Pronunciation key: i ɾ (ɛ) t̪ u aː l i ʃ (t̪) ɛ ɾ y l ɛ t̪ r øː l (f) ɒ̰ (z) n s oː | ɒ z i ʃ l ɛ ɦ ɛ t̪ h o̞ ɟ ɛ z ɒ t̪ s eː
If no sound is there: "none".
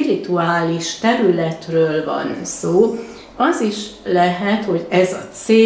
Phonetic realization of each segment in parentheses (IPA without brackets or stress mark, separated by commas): i, t̪, v, none